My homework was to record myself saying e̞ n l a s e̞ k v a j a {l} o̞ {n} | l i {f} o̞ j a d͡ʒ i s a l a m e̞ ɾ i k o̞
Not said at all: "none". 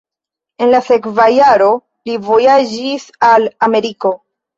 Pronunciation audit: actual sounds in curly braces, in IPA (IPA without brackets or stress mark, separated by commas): ɾ, none, v